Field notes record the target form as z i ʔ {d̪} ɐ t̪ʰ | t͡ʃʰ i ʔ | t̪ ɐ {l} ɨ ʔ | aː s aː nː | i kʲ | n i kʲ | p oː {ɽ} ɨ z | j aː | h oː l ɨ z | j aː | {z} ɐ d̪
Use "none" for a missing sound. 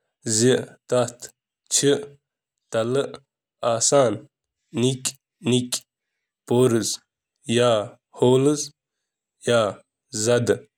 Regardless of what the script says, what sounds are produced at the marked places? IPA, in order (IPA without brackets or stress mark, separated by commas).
t̪, l, ɾ, z